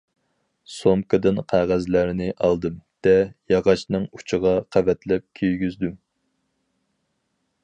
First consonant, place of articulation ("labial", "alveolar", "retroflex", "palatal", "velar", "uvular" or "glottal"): alveolar